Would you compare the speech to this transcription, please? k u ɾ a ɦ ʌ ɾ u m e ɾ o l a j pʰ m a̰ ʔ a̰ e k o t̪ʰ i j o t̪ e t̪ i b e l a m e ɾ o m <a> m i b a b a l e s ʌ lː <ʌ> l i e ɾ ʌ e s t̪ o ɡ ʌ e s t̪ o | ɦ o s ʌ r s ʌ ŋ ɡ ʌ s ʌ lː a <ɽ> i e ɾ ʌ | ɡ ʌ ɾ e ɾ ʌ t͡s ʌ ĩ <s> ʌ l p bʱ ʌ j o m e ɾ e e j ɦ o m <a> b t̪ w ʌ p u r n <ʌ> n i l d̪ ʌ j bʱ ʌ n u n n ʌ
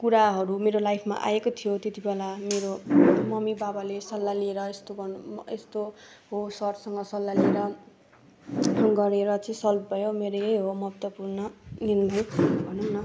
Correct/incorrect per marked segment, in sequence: incorrect: ʌ, incorrect: a, incorrect: l, correct, incorrect: ʌ, correct

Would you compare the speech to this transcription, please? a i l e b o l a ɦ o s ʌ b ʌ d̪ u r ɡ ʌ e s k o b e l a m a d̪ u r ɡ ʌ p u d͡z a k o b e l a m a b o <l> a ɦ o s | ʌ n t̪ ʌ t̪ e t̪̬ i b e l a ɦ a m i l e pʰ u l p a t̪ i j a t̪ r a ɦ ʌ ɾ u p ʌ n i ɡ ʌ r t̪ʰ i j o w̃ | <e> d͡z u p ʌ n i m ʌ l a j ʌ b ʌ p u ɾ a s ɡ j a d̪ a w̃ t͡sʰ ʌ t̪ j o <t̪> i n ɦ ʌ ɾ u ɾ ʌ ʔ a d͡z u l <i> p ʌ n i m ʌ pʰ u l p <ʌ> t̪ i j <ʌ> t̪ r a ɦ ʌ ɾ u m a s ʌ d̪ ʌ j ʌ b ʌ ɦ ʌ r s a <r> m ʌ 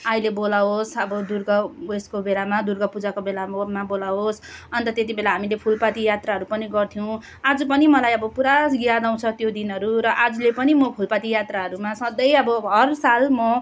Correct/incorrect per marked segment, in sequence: correct, incorrect: a, incorrect: d̪, incorrect: e, incorrect: a, incorrect: a, incorrect: l

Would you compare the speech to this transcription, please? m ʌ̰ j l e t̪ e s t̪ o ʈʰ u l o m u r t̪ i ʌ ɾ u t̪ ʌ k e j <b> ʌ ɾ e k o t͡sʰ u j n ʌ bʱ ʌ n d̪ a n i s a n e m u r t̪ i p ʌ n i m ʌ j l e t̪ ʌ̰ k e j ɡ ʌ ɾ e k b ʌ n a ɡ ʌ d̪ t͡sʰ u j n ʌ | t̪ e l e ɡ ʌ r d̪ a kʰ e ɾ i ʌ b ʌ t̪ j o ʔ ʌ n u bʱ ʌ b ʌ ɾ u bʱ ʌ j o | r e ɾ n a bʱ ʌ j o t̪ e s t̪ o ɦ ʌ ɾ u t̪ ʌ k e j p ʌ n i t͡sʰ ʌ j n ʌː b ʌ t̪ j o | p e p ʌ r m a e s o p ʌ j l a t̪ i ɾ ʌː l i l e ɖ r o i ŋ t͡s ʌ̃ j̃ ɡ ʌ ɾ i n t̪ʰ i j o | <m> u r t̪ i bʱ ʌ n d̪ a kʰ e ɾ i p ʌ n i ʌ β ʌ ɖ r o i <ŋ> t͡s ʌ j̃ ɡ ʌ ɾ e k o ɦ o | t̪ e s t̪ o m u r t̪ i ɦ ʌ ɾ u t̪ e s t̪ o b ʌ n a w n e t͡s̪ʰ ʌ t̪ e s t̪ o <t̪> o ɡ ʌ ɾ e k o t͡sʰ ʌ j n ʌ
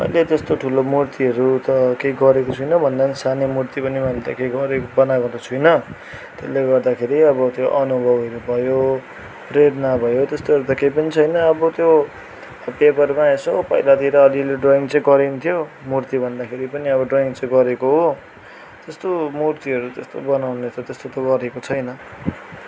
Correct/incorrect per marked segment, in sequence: incorrect: ɡ, correct, correct, correct

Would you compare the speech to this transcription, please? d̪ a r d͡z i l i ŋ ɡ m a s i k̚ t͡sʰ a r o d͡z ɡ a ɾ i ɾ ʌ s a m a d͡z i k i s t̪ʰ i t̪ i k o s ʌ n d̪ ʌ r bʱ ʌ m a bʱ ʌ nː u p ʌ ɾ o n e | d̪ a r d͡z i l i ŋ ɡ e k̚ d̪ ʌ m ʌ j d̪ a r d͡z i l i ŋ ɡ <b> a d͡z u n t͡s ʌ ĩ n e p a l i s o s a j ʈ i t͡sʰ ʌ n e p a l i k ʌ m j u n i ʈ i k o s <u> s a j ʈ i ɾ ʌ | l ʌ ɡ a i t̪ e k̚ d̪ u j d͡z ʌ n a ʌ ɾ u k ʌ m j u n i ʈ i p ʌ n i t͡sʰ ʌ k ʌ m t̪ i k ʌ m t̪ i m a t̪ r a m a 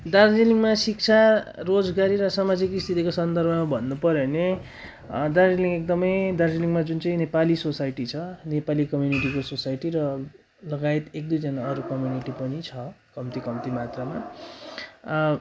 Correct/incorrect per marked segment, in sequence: incorrect: m, incorrect: o

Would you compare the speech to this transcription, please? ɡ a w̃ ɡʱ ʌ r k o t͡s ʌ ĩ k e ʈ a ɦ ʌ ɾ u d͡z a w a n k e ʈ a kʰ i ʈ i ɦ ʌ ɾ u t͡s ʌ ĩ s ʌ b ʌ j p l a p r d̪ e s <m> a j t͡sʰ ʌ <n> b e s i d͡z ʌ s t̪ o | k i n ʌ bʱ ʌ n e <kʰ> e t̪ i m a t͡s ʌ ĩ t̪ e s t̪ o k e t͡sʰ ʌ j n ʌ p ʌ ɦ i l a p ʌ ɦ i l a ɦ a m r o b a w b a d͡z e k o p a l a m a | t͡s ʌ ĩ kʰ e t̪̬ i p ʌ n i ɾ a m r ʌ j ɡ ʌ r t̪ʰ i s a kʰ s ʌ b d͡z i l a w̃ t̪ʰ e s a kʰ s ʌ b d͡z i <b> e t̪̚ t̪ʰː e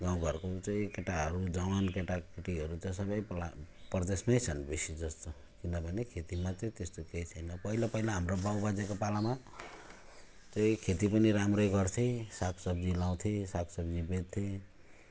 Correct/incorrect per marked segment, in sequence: correct, correct, correct, correct

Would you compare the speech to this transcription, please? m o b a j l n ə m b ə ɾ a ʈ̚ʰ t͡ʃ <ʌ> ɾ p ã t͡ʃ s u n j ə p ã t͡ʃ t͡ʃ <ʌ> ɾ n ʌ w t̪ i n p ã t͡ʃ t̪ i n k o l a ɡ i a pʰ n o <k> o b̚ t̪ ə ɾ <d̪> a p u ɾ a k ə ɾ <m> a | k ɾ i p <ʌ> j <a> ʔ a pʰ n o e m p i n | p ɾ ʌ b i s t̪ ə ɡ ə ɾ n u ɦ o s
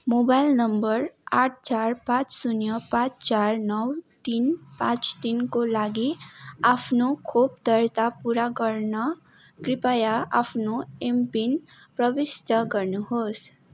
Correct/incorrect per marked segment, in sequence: incorrect: a, incorrect: a, incorrect: kʰ, incorrect: t̪, incorrect: n, incorrect: a, correct

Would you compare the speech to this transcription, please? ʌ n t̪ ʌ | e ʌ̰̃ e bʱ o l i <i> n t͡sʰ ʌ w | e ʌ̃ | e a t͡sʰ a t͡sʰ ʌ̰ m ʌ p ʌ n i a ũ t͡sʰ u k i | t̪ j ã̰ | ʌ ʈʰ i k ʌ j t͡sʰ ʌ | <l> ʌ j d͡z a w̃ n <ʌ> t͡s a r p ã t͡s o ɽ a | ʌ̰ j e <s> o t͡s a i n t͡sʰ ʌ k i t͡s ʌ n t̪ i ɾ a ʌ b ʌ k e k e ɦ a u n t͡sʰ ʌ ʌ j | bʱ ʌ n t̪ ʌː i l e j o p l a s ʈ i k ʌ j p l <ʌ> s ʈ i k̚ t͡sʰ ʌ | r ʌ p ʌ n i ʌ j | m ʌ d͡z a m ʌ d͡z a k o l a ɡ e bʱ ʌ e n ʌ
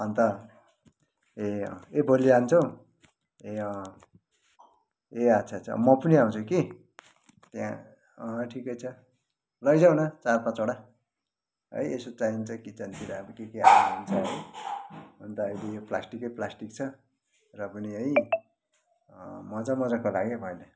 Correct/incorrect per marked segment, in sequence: incorrect: a, correct, correct, correct, incorrect: a

